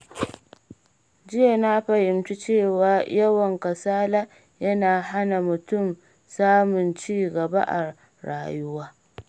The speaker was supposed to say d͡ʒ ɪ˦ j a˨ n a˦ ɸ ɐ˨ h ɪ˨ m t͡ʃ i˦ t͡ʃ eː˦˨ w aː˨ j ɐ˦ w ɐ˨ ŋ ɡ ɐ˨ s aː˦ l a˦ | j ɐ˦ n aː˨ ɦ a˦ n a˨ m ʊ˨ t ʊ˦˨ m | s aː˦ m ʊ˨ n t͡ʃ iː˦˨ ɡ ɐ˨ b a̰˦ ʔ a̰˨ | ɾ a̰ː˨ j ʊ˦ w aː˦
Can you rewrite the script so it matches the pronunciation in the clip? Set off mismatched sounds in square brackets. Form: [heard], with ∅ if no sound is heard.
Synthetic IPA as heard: d͡ʒ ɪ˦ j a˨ n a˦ ɸ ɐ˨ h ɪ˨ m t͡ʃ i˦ t͡ʃ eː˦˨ w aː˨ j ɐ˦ w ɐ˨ ŋ [k] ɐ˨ s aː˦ l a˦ | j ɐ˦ n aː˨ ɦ a˦ n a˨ m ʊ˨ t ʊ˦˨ m | s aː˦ m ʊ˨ n t͡ʃ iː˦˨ ɡ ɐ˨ b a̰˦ ʔ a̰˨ | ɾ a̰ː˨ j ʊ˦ w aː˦